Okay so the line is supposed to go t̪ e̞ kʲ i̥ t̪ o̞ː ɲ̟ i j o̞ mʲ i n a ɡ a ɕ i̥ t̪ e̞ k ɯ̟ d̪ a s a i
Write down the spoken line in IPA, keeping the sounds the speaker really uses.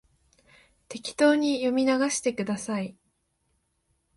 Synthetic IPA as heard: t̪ e̞ kʲ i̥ t̪ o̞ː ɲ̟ i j o̞ mʲ i n a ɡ a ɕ i̥ t̪ e̞ k ɯ̟ d̪ a s a i